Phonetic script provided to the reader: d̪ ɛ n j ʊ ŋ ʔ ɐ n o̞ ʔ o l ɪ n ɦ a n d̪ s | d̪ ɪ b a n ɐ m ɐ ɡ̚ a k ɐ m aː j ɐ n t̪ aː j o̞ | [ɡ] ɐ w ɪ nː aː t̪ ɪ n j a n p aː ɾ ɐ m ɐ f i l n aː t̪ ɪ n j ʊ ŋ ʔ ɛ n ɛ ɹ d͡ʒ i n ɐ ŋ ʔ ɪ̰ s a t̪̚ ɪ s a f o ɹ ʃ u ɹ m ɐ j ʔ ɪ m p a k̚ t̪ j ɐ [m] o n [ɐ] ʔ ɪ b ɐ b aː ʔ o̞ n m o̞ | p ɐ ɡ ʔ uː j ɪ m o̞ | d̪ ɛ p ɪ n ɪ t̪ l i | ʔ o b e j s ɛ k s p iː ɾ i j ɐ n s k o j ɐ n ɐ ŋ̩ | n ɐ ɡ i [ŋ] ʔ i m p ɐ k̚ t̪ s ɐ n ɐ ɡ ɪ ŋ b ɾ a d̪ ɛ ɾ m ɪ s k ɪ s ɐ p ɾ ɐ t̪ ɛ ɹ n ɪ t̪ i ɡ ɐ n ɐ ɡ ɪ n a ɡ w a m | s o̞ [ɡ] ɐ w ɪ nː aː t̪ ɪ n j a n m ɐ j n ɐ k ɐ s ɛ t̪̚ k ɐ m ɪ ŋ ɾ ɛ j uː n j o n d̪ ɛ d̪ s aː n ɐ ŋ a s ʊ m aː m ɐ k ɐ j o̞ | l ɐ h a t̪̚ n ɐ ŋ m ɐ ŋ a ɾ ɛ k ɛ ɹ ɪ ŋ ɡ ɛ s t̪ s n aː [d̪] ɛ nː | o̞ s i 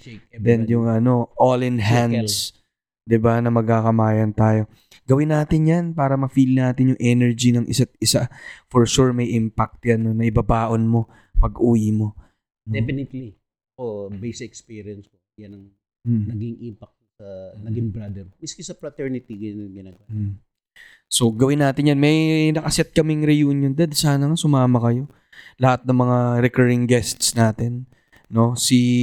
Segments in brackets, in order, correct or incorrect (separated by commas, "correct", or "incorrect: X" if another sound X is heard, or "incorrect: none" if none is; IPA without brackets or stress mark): correct, incorrect: n, correct, correct, correct, incorrect: t̪